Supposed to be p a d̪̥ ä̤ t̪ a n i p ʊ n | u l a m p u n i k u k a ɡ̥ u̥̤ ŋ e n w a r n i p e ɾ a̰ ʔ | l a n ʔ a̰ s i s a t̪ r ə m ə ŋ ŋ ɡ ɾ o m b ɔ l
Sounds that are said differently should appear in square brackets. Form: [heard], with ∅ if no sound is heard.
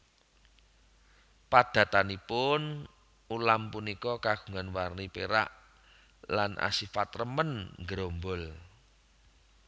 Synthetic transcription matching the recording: p a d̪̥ ä̤ t̪ a n i p ʊ n | u l a m p u n i k [ɔ] k a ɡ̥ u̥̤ ŋ [a] n w a r n i p e ɾ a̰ ʔ | l a n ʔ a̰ s i [f] a t̪ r ə m ə [n] ŋ ɡ ɾ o m b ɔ l